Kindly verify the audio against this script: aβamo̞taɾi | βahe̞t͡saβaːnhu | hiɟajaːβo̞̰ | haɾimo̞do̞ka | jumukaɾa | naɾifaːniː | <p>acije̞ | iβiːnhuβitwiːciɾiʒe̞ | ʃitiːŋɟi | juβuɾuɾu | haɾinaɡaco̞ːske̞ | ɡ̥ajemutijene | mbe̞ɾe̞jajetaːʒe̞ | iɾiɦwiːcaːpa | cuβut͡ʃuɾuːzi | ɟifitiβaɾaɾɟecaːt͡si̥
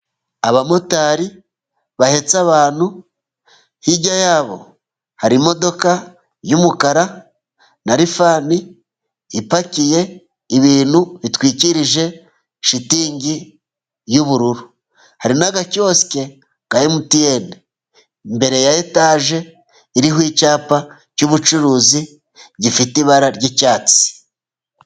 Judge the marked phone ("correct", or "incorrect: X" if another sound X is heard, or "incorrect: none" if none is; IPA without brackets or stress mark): correct